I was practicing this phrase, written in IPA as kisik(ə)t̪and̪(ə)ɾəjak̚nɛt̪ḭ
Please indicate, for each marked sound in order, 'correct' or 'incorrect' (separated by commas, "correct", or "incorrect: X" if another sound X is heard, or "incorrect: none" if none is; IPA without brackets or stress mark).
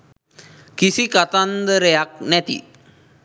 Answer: incorrect: a, correct